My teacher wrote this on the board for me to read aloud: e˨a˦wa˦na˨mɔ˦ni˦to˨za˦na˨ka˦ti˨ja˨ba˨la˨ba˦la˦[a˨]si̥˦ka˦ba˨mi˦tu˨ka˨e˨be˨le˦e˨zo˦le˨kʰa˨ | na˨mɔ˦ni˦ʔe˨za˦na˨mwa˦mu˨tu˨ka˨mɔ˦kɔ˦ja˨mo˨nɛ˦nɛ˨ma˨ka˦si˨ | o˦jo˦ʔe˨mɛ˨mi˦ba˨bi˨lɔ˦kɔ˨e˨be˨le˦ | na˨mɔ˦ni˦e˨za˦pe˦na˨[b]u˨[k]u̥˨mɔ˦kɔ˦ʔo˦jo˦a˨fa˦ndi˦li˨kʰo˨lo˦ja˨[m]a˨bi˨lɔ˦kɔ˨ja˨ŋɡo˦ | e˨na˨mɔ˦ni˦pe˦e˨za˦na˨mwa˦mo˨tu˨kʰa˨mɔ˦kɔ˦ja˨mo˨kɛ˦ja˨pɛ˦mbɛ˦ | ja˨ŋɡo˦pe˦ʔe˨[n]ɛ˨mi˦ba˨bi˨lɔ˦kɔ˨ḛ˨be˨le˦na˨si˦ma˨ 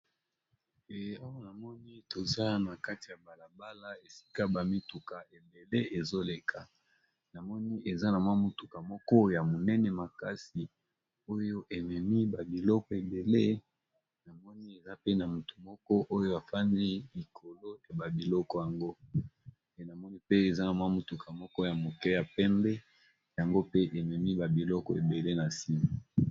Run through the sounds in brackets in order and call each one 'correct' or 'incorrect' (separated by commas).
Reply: incorrect, incorrect, incorrect, incorrect, incorrect